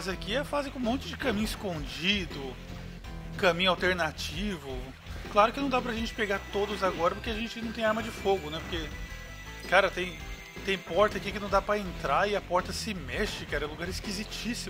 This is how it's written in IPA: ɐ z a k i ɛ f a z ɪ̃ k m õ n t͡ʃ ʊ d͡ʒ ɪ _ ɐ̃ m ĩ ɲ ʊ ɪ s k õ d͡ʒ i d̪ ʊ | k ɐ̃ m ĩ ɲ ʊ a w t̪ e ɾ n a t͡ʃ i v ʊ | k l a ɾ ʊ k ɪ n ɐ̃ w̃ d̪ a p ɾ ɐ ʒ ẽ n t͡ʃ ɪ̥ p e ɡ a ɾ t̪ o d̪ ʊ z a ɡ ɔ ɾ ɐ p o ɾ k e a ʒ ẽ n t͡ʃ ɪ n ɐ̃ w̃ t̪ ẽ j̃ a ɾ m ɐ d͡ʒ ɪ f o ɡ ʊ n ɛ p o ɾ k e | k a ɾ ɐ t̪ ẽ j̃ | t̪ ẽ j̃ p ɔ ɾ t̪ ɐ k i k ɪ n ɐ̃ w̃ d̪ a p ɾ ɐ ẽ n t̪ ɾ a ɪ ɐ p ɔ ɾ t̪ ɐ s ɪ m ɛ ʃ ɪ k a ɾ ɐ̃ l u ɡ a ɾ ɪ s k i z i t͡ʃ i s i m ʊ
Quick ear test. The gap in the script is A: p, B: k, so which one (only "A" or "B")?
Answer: B